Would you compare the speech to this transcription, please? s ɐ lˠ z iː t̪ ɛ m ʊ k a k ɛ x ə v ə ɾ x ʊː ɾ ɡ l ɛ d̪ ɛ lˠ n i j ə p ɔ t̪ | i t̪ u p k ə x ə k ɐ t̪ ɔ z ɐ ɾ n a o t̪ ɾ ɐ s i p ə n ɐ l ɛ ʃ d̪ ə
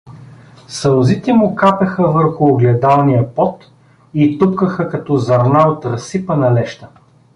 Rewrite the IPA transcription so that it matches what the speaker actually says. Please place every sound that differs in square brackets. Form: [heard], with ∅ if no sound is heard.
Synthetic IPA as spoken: s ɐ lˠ z [i] t̪ ɛ m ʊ k a [p] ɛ x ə v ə ɾ x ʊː [∅] ɡ l ɛ d̪ [a] lˠ n i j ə p ɔ t̪ | i t̪ u p k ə x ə k ɐ t̪ ɔ z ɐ ɾ n a o t̪ ɾ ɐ s i p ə n ɐ l ɛ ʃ [t̪] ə